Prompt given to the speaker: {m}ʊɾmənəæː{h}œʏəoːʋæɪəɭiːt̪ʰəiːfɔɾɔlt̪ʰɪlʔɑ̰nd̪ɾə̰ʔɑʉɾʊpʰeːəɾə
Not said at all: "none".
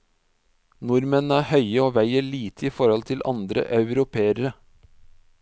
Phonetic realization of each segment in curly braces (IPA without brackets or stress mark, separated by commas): n, h